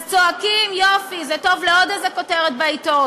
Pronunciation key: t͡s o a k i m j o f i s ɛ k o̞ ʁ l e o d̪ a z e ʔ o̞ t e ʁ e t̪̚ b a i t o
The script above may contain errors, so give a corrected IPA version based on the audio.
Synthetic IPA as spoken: t͡s o a k i m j o f i z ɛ t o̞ v l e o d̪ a z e k o̞ t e ʁ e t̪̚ b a i t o